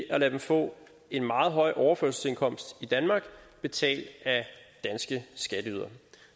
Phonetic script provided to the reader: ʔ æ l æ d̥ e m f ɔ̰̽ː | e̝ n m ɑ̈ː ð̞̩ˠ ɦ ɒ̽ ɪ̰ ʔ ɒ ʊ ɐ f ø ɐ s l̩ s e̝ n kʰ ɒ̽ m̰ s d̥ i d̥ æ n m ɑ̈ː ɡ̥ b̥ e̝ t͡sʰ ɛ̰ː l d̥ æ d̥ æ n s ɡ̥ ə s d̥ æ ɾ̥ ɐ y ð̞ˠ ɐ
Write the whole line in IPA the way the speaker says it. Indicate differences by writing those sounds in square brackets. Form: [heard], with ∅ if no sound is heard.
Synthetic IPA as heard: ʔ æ l æ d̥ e m f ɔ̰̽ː | e̝ n m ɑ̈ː ð̞̩ˠ ɦ ɒ̽ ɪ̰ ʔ ɒ ʊ ɐ f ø ɐ s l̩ s e̝ n kʰ ɒ̽ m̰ s d̥ i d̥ æ n m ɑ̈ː ɡ̥ b̥ e̝ t͡sʰ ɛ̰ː l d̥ æ d̥ æ n s ɡ̥ ə s [ɡ̥] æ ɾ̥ [ə] y ð̞ˠ ɐ